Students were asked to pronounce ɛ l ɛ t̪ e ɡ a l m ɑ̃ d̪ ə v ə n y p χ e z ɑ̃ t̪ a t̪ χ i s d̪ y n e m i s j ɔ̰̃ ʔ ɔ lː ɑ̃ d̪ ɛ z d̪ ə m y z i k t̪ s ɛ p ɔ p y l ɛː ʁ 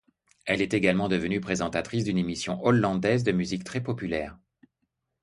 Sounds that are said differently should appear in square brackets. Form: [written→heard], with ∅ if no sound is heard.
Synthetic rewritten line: ɛ l ɛ t̪ e ɡ a l m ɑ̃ d̪ ə v ə n y p χ e z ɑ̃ t̪ a t̪ χ i s d̪ y n e m i s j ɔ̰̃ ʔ ɔ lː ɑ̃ d̪ ɛ z d̪ ə m y z i k t̪ [s→χ] ɛ p ɔ p y l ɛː ʁ